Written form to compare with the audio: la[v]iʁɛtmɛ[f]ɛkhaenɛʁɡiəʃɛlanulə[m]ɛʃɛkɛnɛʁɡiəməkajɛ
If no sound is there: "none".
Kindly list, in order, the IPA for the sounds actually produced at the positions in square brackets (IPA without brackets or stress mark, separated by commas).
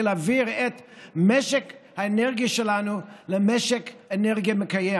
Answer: v, ʃ, m